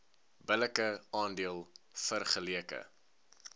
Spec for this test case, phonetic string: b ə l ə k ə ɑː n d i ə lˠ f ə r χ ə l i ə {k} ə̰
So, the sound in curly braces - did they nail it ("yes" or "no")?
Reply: yes